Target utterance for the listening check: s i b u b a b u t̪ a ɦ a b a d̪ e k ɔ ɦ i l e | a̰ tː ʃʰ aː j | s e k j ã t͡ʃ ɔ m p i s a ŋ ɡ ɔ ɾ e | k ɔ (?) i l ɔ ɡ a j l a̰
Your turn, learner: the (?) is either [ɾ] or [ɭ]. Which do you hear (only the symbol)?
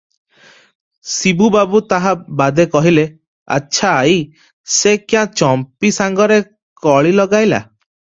ɭ